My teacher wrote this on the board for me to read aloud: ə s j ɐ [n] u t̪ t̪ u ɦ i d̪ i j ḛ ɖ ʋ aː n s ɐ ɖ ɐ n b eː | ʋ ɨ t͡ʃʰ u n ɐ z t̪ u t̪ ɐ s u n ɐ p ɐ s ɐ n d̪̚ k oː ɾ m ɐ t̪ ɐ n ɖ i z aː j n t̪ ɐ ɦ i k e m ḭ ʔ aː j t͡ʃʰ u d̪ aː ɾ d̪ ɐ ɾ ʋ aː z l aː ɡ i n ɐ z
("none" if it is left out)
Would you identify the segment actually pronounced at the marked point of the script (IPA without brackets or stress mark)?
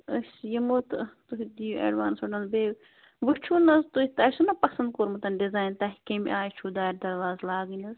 m